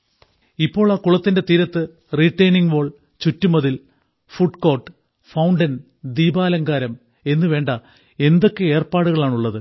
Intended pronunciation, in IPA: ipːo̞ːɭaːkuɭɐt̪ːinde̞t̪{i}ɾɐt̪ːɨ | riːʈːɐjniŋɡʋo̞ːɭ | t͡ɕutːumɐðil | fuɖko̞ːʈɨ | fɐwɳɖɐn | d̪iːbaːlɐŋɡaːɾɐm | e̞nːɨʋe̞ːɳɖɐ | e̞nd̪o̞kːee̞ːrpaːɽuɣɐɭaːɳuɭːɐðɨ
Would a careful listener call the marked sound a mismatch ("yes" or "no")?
yes